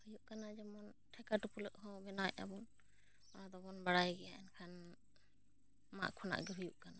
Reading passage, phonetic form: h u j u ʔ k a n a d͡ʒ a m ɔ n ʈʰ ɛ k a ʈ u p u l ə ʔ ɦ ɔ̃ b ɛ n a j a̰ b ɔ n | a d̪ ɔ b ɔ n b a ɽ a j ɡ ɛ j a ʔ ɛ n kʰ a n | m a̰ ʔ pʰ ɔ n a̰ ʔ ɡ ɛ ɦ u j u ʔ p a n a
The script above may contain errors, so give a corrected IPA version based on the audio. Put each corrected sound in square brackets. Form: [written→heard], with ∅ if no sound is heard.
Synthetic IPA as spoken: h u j u ʔ k a n a d͡ʒ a m ɔ n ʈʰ ɛ k a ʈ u p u l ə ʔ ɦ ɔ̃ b ɛ n a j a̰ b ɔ n | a d̪ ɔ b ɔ n b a ɽ a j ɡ ɛ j a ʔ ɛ n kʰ a n | m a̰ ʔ [pʰ→kʰ] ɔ n a̰ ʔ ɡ ɛ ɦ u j u ʔ [p→k] a n a